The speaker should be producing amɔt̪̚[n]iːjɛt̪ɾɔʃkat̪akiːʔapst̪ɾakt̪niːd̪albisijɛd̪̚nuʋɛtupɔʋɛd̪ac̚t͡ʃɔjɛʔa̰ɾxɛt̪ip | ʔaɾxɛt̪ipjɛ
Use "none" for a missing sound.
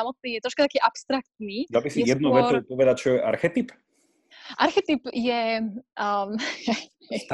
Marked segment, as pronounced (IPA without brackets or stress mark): n